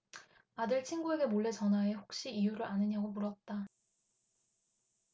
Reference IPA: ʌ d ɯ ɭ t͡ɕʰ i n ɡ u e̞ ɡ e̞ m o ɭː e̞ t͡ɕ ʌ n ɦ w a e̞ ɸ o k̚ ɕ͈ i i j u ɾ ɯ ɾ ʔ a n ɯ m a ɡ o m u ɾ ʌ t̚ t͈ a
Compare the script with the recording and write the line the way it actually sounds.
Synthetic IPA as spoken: a d ɯ ɭ t͡ɕʰ i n ɡ u e̞ ɡ e̞ m o ɭː e̞ t͡ɕ ʌ n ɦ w a e̞ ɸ o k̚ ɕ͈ i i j u ɾ ɯ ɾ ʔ a n ɯ ɲ a ɡ o m u ɾ ʌ t̚ t͈ a